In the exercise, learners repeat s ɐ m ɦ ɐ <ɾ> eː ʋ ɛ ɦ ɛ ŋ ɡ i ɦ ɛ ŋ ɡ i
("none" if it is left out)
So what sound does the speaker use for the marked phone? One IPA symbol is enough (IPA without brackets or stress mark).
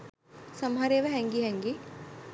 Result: ɾ